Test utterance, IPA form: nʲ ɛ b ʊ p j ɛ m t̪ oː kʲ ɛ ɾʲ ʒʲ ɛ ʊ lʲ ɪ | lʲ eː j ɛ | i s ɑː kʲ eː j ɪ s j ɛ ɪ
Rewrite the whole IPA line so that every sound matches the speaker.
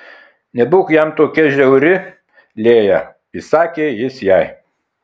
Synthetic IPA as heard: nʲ ɛ b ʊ k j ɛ m t̪ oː kʲ ɛ ʒʲ ɛ ʊ ɾʲ ɪ | lʲ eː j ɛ | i s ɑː kʲ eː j ɪ s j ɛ ɪ